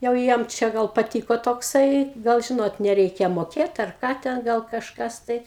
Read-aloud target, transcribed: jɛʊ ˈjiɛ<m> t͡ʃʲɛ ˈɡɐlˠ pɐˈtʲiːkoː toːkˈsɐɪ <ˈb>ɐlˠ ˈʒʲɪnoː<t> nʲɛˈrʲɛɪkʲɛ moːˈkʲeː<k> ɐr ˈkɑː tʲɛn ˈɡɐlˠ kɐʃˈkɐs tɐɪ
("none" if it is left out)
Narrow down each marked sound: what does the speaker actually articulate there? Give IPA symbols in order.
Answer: m, ɡ, t, t

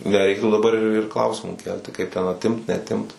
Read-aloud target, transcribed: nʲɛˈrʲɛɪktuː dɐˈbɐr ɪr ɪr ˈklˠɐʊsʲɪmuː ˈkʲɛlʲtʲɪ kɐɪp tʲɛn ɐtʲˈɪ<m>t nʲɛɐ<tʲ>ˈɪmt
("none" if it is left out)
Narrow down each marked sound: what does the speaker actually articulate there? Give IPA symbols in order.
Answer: m, tʲ

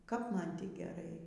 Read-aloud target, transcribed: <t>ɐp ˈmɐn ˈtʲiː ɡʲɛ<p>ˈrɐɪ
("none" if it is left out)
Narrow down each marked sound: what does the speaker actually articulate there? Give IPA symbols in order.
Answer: k, none

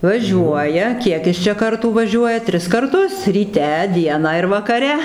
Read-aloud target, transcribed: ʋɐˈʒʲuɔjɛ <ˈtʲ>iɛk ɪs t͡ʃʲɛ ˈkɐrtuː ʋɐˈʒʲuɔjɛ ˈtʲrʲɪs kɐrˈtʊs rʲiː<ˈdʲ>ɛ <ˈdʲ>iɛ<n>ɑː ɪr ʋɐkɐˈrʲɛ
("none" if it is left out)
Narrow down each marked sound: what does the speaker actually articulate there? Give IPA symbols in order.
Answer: kʲ, tʲ, dʲ, n

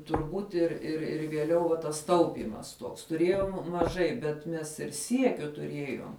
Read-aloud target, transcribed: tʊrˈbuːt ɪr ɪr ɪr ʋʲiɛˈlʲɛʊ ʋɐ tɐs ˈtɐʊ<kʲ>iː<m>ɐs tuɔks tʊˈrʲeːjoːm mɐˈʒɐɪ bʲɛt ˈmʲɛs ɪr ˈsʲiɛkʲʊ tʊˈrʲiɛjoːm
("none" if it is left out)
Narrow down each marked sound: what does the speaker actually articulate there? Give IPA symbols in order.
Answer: pʲ, m

